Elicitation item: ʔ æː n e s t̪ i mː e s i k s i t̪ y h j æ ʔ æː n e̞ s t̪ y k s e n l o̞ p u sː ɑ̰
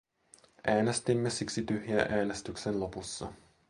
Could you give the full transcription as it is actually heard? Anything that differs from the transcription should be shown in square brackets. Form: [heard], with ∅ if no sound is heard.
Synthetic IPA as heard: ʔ æː n e s t̪ i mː e s i k s i t̪ y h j æ ʔ æː n e̞ s t̪ y k s e n l o̞ p u sː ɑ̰